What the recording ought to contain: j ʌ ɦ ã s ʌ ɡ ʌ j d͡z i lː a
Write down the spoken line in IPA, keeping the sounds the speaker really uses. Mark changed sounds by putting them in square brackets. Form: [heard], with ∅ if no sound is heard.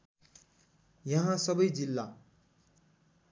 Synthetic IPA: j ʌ ɦ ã s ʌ [b] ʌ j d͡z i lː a